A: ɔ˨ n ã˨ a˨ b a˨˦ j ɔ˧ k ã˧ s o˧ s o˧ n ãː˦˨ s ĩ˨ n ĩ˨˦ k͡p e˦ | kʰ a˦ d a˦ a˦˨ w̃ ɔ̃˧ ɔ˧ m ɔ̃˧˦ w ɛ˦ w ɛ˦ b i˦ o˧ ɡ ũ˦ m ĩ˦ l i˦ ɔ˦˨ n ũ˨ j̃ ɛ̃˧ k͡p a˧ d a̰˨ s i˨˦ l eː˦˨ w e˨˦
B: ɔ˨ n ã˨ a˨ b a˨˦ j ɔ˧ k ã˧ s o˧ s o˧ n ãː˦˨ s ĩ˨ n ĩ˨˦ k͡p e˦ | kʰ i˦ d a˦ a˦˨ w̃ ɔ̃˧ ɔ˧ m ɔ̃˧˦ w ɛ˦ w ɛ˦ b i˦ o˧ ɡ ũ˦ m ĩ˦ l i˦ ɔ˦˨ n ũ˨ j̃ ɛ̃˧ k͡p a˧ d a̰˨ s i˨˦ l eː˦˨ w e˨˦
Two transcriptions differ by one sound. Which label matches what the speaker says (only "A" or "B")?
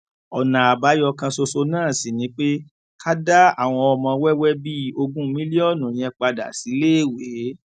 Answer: A